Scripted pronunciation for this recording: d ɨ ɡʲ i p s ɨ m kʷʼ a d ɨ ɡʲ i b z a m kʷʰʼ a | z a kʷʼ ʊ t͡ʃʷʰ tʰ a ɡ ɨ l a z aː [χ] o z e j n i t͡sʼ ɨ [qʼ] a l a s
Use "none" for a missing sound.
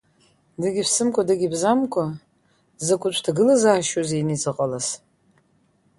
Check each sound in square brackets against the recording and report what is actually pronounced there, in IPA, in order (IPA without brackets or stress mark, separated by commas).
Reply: ʃ, qʼ